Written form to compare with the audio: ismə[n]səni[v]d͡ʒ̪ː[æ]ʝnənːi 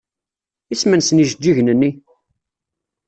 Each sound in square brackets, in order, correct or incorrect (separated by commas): correct, incorrect, incorrect